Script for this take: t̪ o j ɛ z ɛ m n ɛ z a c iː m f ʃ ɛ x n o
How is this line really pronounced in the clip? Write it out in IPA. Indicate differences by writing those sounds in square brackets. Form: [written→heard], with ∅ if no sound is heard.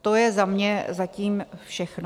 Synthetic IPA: t̪ o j ɛ z [ɛ→a] m [n→ɲ] ɛ z a c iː m f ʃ ɛ x n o